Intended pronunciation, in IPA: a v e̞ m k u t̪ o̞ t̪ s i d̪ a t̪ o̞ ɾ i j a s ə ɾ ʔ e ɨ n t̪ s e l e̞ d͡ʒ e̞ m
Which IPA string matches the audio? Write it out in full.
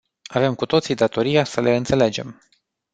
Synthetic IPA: a v e̞ m k u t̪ o̞ t̪ s i d̪ a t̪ o̞ ɾ i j a s ə l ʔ e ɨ n t̪ s e l e̞ d͡ʒ e̞ m

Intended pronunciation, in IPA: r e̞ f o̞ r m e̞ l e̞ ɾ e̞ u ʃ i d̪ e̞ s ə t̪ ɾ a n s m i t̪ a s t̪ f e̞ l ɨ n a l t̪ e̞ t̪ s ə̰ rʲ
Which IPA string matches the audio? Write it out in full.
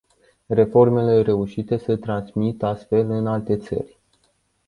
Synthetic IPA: r e̞ f o̞ r m e̞ l e̞ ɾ e̞ u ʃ i t̪ e̞ s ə t̪ ɾ a n s m i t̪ a s t̪ f e̞ l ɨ n a l t̪ e̞ t̪ s ə̰ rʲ

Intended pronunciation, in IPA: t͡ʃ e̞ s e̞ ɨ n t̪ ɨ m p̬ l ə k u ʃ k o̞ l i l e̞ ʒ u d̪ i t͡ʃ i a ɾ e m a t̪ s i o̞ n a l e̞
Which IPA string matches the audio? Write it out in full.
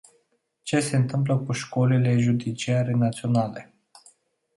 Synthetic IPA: t͡ʃ e̞ s e̞ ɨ n t̪ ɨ m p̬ l ə k u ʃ k o̞ l i l e̞ ʒ u d̪ i t͡ʃ i a ɾ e n a t̪ s i o̞ n a l e̞

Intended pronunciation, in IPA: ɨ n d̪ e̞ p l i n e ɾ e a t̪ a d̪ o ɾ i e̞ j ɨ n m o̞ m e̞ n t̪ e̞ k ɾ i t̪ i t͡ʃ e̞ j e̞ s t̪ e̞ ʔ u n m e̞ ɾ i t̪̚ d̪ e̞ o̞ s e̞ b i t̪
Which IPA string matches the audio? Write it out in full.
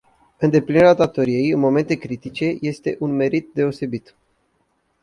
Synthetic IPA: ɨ n d̪ e̞ p l i n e ɾ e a t̪ a t̪ o ɾ i e̞ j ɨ n m o̞ m e̞ n t̪ e̞ k ɾ i t̪ i t͡ʃ e̞ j e̞ s t̪ e̞ ʔ u n m e̞ ɾ i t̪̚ d̪ e̞ o̞ s e̞ b i t̪

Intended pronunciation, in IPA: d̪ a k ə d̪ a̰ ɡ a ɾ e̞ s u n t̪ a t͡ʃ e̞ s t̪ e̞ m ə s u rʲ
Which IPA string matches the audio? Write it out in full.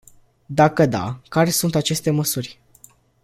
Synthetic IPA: d̪ a k ə d̪ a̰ k a ɾ e̞ s u n t̪ a t͡ʃ e̞ s t̪ e̞ m ə s u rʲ

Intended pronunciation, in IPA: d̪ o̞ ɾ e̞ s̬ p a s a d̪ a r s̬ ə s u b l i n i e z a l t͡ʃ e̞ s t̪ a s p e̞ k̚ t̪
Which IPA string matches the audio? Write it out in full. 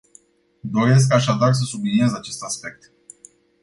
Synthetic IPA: d̪ o̞ ɾ e̞ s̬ k a ʃ a d̪ a r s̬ ə s u b l i n i e z a t͡ʃ e̞ s t̪ a s p e̞ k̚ t̪

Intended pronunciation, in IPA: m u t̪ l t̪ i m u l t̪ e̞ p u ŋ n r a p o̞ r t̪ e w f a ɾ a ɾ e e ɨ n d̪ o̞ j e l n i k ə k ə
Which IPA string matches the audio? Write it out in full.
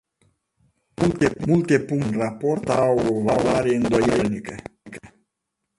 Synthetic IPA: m u l t̪ e m u l t̪ e̞ p u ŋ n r a p o̞ r t̪ a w v a l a ɾ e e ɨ n d̪ o̞ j e l n i k ə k ə

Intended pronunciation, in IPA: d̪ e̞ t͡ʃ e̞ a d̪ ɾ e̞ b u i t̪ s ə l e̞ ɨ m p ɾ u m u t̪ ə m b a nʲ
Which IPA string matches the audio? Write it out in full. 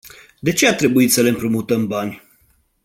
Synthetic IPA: d̪ e̞ t͡ʃ e̞ a t̪ ɾ e̞ b u i t̪ s ə l e̞ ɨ m p ɾ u m u t̪ ə m b a nʲ

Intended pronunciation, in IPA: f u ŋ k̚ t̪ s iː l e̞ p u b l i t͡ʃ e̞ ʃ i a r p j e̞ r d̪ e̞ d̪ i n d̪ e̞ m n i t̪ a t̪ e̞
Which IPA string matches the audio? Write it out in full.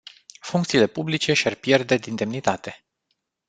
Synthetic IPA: f u ŋ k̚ t̪ s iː l e̞ p u b l i t͡ʃ e̞ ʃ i a r p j e̞ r d̪ e̞ d̪ i n d̪ e̞ m n i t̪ a t̪ e̞

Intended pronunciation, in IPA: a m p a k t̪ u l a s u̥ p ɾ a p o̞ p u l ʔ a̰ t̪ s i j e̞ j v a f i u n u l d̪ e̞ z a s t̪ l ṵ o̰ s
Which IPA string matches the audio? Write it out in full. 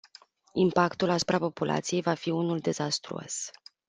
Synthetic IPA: i m p a k t̪ u l a s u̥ p ɾ a p o̞ p u l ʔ a̰ t̪ s i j e̞ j v a f i u n u l d̪ e̞ z a s t̪ ɾ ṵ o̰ s

